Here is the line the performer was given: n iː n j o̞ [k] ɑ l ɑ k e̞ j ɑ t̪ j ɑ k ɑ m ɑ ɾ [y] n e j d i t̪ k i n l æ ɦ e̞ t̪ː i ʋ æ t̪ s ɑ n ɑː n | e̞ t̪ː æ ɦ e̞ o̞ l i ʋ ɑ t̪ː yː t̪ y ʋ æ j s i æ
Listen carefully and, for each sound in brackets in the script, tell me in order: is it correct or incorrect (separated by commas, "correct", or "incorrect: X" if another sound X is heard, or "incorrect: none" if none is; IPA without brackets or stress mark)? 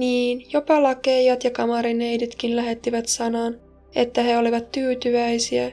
incorrect: p, incorrect: i